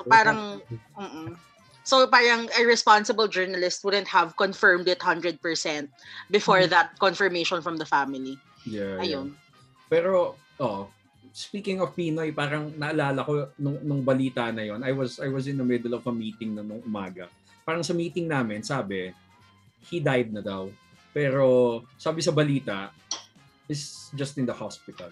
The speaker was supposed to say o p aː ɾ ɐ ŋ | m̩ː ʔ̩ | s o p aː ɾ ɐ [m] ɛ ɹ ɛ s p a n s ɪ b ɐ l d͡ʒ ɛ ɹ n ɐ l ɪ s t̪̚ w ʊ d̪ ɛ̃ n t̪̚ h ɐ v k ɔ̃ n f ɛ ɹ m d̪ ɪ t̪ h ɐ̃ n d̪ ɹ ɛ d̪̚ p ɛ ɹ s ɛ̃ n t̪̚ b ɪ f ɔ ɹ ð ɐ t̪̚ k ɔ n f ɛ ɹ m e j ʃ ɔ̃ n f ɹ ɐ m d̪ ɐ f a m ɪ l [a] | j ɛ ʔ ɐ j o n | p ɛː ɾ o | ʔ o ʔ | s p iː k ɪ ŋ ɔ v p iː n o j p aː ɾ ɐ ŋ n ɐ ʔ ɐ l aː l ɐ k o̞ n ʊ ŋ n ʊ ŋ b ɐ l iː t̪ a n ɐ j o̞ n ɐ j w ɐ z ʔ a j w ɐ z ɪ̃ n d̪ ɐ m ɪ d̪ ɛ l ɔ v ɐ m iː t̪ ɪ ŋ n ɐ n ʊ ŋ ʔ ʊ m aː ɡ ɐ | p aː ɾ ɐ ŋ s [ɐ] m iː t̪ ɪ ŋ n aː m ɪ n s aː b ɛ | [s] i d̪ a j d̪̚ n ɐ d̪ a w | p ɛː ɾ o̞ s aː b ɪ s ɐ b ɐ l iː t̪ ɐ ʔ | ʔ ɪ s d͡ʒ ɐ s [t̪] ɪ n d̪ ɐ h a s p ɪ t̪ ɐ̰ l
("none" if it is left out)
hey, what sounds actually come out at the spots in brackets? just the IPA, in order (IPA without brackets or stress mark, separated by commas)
ŋ, i, ɐ, h, t̪